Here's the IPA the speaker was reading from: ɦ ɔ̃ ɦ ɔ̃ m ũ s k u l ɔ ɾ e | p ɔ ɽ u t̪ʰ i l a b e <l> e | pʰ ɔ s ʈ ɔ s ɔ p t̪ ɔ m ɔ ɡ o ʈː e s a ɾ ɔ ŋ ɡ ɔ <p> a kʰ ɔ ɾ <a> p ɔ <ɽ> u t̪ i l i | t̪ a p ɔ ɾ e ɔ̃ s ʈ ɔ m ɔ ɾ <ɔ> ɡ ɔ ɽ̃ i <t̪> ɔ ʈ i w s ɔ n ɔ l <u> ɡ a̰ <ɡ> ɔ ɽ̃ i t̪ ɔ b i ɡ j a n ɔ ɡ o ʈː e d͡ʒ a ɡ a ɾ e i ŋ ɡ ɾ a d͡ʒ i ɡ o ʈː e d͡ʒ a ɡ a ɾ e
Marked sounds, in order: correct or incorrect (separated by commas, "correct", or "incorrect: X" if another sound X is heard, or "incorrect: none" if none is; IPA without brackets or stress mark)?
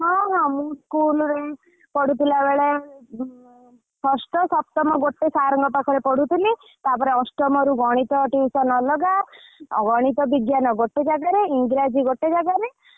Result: incorrect: ɭ, correct, incorrect: e, correct, incorrect: u, correct, incorrect: ɔ, correct